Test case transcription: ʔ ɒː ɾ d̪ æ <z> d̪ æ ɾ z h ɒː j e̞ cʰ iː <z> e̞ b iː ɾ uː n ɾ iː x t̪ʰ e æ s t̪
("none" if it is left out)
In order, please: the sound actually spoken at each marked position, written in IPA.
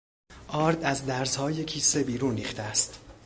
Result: z, s

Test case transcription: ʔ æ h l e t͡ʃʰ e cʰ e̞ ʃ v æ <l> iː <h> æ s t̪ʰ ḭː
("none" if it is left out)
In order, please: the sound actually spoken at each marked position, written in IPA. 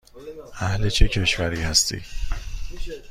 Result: ɾ, h

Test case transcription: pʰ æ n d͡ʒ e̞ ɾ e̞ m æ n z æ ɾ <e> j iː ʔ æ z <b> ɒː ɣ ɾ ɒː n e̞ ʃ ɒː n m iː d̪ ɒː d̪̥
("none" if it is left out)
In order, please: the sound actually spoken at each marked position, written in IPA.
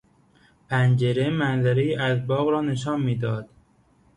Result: e, b

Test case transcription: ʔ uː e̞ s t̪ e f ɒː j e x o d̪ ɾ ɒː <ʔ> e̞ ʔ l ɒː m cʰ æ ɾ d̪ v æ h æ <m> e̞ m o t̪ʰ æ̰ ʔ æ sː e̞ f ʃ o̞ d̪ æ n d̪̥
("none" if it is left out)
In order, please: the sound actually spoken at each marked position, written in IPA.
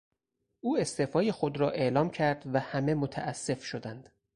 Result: ʔ, m

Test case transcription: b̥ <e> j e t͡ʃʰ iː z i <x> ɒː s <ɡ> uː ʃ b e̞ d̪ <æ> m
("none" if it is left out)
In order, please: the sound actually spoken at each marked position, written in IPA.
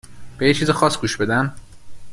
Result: e, x, ɡ, æ

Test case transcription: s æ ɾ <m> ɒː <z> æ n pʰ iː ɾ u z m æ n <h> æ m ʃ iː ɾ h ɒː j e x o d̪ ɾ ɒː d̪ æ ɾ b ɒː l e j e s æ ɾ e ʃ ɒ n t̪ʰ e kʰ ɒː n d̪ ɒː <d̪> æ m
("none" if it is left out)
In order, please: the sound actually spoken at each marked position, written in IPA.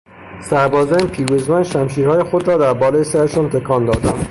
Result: b, z, ʃ, d̪

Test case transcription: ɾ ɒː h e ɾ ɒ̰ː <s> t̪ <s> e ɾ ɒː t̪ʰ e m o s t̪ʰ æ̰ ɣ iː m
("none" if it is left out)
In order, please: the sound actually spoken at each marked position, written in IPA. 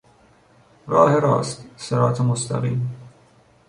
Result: s, s

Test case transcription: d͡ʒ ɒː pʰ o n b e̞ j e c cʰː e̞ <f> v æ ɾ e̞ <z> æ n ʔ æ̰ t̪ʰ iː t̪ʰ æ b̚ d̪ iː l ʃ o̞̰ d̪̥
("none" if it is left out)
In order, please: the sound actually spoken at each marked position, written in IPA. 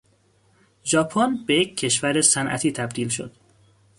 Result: ʃ, s

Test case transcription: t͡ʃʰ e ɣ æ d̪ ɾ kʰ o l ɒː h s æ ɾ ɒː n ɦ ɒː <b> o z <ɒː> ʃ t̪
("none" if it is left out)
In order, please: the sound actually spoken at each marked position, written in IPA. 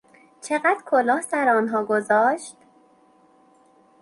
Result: ɡ, ɒː

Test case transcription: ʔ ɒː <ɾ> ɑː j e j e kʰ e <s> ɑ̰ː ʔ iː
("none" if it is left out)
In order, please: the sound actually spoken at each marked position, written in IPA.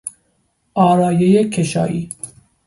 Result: ɾ, ʃ

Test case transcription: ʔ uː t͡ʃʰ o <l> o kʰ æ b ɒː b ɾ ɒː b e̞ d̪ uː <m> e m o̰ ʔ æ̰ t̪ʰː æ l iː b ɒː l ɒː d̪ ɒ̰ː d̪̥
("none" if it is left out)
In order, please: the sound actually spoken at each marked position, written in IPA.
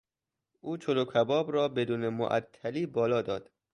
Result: l, n

